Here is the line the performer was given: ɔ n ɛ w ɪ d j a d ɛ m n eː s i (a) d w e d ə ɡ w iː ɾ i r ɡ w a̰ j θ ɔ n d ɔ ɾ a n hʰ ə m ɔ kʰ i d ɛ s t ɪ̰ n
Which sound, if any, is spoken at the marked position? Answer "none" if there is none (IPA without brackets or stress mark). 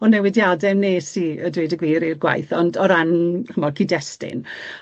ə